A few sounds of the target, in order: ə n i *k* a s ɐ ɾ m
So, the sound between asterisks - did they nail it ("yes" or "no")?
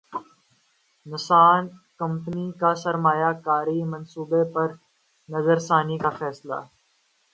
yes